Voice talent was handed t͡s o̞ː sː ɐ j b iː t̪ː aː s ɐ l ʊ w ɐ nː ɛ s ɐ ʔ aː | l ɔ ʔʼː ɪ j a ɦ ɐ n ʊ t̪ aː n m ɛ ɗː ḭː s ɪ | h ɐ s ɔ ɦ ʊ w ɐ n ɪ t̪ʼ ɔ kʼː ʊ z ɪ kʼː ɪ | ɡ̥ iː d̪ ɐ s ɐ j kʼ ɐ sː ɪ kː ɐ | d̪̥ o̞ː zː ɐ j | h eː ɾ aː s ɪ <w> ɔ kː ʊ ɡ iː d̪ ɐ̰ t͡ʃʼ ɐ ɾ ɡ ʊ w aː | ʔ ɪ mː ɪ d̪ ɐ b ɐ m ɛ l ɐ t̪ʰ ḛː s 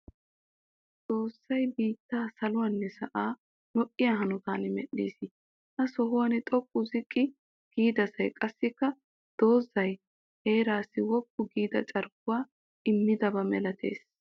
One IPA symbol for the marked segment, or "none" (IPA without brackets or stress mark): w